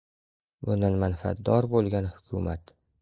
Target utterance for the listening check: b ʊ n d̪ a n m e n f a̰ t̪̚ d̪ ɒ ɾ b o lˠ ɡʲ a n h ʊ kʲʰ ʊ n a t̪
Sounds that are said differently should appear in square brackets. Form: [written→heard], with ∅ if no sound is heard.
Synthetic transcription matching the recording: b ʊ n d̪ a n m [e→a] n f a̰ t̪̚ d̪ ɒ ɾ b o lˠ ɡʲ a n h ʊ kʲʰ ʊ [n→m] a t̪